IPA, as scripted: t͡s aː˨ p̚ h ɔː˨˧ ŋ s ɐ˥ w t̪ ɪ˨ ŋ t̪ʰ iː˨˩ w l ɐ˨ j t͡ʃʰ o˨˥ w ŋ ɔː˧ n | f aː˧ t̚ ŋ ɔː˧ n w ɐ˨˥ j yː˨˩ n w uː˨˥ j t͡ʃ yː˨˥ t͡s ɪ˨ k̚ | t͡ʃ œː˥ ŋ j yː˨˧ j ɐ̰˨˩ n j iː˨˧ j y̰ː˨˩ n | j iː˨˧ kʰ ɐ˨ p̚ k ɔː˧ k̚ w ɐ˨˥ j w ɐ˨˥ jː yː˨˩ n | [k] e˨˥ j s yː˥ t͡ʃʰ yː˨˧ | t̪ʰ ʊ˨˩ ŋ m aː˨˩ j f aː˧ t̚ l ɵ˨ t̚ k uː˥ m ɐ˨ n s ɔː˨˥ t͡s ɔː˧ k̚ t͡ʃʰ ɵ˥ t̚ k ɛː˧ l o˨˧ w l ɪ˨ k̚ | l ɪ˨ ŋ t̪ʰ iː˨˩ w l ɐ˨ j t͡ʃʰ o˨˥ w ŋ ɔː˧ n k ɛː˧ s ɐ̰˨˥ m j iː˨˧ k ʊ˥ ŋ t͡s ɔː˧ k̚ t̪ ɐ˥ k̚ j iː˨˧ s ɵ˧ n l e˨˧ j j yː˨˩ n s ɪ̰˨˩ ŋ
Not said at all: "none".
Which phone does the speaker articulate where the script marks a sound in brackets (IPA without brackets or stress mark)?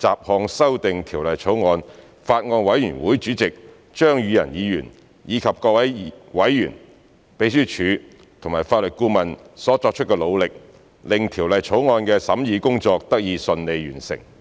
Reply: p